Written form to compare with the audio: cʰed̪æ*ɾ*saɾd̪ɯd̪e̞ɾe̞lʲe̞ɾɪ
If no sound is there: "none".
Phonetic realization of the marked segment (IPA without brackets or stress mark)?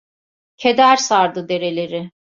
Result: ɾ